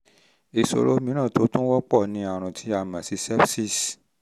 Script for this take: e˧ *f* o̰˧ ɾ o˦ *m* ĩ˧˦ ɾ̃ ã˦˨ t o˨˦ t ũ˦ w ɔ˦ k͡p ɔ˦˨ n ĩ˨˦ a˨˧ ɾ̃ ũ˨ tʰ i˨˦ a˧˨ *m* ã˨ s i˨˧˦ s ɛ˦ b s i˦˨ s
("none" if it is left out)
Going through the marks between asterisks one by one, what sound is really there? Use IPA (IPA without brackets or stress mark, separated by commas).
s, m, m